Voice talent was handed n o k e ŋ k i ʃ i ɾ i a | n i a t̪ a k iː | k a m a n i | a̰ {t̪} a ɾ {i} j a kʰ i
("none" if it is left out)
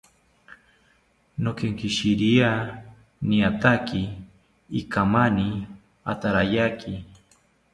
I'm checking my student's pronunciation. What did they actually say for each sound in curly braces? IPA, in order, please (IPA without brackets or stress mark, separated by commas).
t̪, a